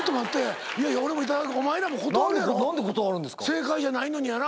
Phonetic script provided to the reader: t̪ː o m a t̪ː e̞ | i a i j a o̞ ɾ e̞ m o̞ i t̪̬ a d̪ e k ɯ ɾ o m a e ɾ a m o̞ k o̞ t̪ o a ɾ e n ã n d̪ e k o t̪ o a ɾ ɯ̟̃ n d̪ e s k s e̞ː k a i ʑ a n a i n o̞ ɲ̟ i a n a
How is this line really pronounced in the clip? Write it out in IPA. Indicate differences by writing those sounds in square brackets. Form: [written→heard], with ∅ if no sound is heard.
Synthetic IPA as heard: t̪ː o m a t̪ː e̞ | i a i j a o̞ ɾ e̞ m o̞ i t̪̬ a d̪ [e→a] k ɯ [ɾ→∅] o m a e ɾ a m o̞ k o̞ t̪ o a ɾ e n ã n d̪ e k o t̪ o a ɾ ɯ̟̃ n d̪ e s k s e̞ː k a i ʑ a n a i n o̞ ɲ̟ i a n a